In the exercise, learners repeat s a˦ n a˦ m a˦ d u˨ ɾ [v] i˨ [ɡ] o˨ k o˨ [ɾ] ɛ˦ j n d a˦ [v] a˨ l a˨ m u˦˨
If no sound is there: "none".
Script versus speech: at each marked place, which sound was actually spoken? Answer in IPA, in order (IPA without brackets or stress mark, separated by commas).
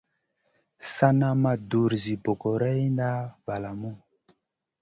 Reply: z, b, ɾ, v